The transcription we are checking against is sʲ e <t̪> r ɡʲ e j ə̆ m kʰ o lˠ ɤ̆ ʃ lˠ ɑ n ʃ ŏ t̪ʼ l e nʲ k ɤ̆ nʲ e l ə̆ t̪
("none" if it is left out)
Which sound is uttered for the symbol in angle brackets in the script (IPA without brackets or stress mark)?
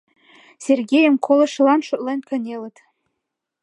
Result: none